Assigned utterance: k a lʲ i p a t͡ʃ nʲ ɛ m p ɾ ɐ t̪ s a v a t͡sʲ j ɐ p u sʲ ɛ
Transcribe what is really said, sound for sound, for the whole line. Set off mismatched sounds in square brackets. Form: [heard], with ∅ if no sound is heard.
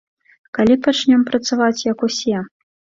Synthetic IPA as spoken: k a lʲ i p a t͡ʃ nʲ ɛ m p ɾ ɐ t̪ s a v a t͡sʲ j ɐ [k] u sʲ ɛ